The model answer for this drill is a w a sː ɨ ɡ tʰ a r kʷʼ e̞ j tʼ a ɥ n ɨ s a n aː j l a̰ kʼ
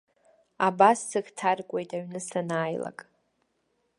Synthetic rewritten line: a b a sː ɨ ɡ tʰ a r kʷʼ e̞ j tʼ a ɥ n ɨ s a n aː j l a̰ kʼ